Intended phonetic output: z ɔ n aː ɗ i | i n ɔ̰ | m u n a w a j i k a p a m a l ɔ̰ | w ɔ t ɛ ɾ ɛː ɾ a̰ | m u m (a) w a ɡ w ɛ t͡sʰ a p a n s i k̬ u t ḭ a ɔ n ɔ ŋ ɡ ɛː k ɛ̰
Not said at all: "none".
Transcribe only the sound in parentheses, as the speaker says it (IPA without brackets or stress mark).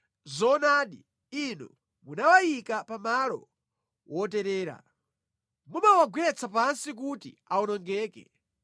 a